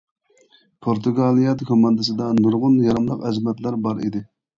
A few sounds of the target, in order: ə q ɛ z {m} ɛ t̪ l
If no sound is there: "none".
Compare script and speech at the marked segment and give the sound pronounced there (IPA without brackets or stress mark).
m